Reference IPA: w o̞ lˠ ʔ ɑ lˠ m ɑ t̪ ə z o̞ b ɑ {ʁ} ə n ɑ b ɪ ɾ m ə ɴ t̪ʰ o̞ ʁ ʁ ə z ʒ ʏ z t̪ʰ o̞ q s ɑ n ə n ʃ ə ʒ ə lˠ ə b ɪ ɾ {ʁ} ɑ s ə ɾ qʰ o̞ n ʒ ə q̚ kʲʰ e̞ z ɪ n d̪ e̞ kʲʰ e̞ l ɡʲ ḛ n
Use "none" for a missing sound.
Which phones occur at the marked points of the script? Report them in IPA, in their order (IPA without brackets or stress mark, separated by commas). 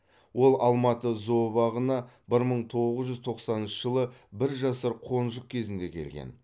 ʁ, ʒ